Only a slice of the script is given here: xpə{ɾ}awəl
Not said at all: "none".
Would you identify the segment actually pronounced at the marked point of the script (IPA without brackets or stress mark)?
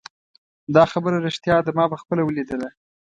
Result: l